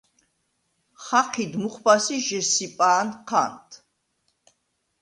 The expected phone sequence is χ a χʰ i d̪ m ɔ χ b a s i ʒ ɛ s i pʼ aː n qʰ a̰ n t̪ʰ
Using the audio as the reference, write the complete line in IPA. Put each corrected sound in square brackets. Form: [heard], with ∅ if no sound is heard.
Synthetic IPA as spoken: χ a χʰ i d̪ m [u] χ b a s i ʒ ɛ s i pʼ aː n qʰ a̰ n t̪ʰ